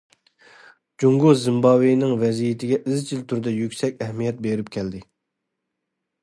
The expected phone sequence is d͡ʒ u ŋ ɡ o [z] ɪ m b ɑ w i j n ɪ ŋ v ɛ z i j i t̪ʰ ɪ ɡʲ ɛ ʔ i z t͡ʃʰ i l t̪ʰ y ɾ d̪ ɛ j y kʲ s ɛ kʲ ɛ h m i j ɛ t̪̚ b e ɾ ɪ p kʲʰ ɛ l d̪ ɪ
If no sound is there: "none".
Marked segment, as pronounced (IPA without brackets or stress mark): z